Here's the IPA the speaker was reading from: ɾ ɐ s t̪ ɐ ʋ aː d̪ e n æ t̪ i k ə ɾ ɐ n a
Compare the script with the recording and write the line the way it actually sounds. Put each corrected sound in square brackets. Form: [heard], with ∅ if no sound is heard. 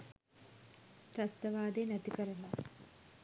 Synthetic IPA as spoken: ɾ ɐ s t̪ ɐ ʋ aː d̪ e n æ t̪ i k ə ɾ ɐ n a